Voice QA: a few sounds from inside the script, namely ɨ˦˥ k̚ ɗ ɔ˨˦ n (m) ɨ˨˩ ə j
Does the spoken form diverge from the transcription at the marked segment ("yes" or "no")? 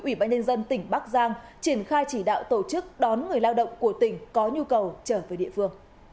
yes